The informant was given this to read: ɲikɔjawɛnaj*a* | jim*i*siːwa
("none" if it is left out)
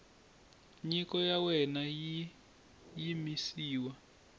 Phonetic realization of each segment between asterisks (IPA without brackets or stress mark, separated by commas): i, i